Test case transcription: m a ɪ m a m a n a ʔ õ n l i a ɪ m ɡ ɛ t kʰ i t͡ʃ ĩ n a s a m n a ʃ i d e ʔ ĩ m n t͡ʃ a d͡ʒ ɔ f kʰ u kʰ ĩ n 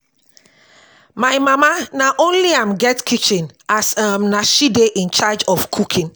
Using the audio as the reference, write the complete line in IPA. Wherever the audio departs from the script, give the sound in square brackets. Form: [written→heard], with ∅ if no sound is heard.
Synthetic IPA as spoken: m a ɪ m a m a n a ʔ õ n l i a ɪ m ɡ ɛ t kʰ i t͡ʃ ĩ n a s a m n a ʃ i d e ʔ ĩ [m→∅] n t͡ʃ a d͡ʒ ɔ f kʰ u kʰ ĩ n